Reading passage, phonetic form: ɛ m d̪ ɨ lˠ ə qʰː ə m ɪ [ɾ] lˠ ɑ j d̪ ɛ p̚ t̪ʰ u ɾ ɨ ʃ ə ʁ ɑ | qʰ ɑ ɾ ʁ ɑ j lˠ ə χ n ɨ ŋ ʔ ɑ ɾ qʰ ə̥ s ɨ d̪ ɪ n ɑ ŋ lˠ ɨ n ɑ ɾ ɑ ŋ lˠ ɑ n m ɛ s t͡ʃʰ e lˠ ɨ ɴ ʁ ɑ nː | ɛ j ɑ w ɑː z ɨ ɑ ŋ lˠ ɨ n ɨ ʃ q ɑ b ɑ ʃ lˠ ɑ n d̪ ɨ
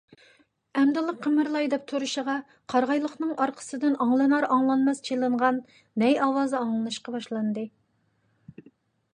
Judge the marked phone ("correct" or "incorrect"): correct